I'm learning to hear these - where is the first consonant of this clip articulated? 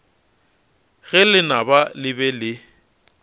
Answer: velum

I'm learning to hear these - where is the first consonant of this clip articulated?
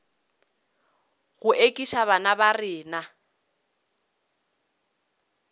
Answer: velum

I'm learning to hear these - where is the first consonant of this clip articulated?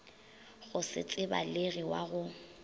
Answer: velum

